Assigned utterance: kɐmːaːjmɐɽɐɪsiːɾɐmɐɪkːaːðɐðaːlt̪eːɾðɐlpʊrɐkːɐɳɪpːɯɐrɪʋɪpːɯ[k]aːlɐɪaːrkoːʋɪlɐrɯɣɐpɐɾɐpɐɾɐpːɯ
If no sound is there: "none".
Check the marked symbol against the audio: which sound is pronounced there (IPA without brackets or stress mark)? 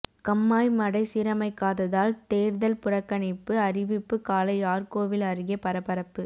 k